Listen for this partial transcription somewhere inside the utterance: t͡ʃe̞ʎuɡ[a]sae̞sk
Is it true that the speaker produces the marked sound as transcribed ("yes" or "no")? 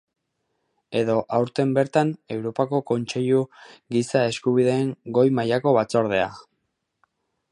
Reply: no